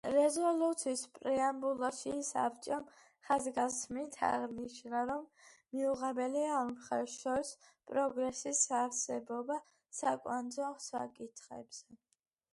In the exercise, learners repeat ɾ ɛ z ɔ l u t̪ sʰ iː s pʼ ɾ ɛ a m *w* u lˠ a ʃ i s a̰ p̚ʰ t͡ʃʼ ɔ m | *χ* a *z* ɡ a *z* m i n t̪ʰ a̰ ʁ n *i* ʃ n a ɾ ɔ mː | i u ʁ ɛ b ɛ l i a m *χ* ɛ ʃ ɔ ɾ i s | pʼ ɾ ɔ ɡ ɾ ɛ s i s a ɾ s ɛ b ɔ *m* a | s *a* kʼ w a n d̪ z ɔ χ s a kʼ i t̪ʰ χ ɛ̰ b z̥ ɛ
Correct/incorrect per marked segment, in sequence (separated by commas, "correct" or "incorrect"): incorrect, correct, correct, incorrect, correct, correct, incorrect, correct